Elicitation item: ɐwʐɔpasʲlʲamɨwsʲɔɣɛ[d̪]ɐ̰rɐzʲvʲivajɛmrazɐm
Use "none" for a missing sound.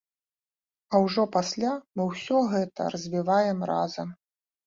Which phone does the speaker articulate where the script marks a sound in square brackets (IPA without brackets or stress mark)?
t̪